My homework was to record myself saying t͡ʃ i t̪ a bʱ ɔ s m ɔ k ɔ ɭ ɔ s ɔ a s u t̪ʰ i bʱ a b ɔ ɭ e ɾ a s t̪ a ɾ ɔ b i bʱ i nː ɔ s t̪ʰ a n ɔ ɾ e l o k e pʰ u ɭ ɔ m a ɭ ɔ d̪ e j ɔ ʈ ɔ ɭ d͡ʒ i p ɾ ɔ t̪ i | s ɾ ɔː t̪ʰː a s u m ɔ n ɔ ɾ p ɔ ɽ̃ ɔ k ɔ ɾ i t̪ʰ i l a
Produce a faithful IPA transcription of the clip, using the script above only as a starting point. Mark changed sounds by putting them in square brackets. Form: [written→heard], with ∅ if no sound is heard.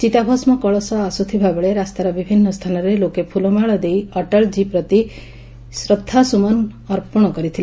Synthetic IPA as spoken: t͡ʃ i t̪ a bʱ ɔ s m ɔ k ɔ ɭ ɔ s ɔ a s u t̪ʰ i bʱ a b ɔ ɭ e ɾ a s t̪ a ɾ ɔ b i bʱ i nː ɔ s t̪ʰ a n ɔ ɾ e l o k e pʰ u [ɭ→l] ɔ m a ɭ ɔ d̪ e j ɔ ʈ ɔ ɭ d͡ʒ i p ɾ ɔ t̪ i | s ɾ [ɔː→ɔ] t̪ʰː a s u m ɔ n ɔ ɾ p ɔ ɽ̃ ɔ k ɔ ɾ i t̪ʰ i l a